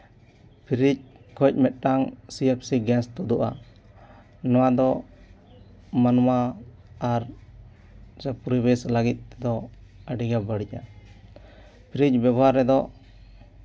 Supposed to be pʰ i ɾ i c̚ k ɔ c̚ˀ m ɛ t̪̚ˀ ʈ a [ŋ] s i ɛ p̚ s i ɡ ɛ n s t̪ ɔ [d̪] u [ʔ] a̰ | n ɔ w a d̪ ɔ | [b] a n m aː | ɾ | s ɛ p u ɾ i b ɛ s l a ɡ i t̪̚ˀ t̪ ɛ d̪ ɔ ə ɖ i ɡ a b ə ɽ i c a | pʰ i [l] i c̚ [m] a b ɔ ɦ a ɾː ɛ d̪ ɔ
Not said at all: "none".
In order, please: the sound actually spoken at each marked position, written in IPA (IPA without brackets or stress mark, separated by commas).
ŋ, d̪, ʔ, m, ɾ, b